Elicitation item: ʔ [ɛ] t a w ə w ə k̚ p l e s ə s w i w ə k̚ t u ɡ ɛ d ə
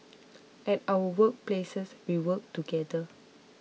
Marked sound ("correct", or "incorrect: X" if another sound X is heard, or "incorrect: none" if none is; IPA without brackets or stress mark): correct